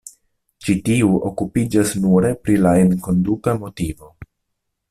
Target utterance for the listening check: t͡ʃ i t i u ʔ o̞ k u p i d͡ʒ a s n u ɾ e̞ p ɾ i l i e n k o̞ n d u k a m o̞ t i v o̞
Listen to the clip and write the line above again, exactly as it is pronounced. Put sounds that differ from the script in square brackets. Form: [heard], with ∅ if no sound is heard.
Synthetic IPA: t͡ʃ i t i u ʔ o̞ k u p i d͡ʒ a s n u ɾ e̞ p ɾ i l [a] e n k o̞ n d u k a m o̞ t i v o̞